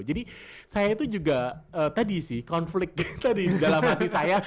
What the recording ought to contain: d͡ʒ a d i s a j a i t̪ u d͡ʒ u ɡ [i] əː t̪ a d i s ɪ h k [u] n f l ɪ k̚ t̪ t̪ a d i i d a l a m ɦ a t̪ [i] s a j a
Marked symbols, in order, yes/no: no, no, yes

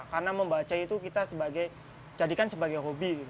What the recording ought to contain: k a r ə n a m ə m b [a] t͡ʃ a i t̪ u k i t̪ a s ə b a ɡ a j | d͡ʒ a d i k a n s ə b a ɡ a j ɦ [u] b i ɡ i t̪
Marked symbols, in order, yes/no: yes, no

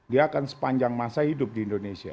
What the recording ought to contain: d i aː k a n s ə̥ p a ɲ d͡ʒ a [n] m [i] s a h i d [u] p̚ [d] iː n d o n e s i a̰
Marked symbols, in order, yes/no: no, no, no, yes

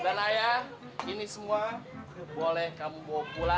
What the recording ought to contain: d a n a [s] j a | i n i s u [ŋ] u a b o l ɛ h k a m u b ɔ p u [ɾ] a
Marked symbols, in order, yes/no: no, no, no

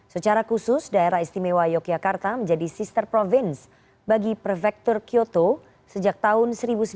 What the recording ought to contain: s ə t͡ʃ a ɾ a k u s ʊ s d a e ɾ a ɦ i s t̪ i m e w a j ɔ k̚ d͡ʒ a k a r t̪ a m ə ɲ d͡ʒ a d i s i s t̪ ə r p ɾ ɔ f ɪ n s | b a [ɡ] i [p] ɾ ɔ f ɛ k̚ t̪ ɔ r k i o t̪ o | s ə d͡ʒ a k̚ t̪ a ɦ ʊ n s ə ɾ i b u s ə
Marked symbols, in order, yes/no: yes, yes

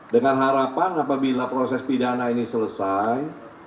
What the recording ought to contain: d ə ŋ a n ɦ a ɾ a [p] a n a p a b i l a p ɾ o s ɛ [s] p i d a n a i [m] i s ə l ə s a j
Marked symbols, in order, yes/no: yes, yes, no

